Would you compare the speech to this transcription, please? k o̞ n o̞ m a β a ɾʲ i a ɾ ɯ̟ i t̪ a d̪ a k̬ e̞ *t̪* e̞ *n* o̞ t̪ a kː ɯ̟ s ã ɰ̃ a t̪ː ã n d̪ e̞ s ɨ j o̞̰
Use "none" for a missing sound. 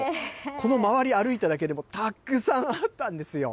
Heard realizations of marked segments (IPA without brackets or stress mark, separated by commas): d̪, m